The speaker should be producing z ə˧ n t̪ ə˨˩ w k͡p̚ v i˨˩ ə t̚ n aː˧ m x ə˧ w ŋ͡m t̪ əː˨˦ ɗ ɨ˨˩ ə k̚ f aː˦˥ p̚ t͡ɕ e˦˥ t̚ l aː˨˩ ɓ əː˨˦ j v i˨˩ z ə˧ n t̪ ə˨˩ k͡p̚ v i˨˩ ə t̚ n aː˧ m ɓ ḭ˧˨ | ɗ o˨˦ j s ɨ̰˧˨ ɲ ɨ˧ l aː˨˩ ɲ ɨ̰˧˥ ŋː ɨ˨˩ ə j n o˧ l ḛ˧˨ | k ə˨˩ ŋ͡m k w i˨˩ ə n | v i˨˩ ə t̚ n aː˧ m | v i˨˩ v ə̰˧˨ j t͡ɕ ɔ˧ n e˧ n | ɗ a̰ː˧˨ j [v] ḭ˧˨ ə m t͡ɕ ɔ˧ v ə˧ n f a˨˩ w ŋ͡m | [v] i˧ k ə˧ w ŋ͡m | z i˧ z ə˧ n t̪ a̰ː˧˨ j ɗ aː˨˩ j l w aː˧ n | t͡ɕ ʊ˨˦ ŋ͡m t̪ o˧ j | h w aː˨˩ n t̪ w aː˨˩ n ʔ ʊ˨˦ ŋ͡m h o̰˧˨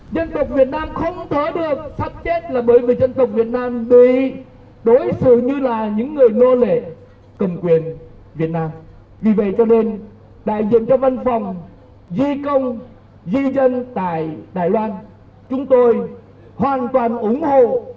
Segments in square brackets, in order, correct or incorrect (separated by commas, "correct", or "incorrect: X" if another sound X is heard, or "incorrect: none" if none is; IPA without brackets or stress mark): incorrect: z, incorrect: z